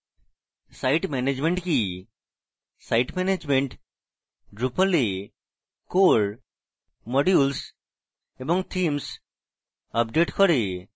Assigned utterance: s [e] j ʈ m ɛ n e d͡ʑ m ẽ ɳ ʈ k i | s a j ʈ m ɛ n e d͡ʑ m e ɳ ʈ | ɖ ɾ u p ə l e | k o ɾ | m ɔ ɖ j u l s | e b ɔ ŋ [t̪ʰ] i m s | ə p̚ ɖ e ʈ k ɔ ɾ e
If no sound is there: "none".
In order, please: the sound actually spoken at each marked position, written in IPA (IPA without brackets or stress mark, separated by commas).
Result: a, t̪ʰ